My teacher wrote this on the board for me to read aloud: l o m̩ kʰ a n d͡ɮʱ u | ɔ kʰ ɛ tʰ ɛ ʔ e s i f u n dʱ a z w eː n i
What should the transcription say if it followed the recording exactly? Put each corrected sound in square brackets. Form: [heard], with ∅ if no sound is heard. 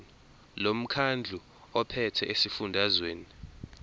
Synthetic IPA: l o m̩ kʰ a n d͡ɮʱ u | ɔ [pʰ] ɛ tʰ ɛ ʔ e s i f u n dʱ a z w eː n i